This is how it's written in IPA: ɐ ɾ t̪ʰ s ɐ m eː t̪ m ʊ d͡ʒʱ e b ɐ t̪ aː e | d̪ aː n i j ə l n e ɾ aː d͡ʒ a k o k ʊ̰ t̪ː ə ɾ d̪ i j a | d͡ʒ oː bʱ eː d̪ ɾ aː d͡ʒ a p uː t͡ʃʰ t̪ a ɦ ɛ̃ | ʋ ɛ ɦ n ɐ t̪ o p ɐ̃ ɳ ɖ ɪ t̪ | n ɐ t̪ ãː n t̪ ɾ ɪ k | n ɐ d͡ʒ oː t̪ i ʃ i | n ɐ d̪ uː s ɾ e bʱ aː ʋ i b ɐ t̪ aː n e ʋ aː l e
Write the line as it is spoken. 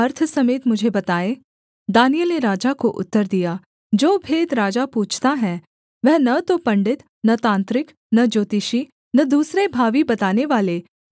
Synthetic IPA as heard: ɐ ɾ t̪ʰ s ɐ m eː t̪ m ʊ d͡ʒʱ e b ɐ t̪ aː e | d̪ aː n i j ə l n e ɾ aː d͡ʒ a k o ʔ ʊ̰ t̪ː ə ɾ d̪ i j a | d͡ʒ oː bʱ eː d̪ ɾ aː d͡ʒ a p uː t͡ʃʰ t̪ a ɦ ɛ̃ | ʋ ɛ ɦ n ɐ t̪ o p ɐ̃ ɳ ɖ ɪ t̪ | n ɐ t̪ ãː n t̪ ɾ ɪ k | n ɐ d͡ʒ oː t̪ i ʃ i | n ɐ d̪ uː s ɾ e bʱ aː ʋ i b ɐ t̪ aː n e ʋ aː l e